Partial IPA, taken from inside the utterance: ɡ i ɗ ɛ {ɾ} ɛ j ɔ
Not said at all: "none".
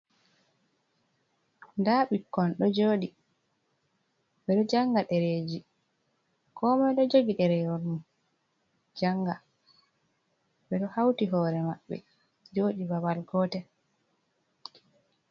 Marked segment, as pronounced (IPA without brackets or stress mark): ɾ